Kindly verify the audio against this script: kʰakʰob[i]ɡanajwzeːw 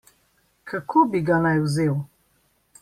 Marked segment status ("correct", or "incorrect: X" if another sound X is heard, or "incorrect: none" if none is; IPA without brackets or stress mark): correct